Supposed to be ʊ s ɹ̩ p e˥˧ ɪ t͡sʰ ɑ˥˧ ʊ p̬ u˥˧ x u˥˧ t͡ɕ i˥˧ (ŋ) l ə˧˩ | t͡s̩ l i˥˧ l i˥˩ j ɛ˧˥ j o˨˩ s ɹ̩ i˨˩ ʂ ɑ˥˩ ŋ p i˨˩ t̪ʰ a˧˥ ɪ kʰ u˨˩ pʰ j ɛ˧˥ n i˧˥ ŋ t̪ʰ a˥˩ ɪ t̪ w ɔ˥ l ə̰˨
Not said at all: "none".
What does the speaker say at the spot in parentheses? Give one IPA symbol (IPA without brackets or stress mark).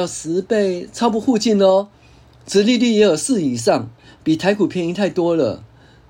n